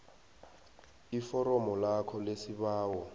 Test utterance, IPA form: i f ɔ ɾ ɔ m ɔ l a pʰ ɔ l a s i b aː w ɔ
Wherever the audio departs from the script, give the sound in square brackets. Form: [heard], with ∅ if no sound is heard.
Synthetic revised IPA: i f ɔ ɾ ɔ m ɔ l a [kʰ] ɔ l [e] s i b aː w ɔ